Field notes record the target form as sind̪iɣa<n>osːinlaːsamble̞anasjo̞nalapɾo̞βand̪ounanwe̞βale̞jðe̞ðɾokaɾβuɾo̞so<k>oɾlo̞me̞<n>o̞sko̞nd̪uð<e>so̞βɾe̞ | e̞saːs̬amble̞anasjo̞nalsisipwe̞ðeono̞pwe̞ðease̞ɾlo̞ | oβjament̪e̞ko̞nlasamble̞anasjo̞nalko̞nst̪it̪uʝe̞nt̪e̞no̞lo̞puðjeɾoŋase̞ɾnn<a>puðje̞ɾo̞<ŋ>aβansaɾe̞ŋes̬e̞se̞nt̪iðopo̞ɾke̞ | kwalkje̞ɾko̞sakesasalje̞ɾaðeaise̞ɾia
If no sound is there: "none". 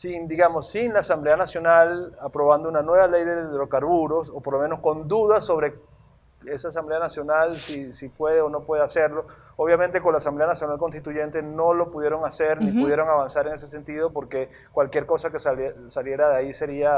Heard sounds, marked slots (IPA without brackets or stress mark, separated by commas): m, p, n, a, i, ŋ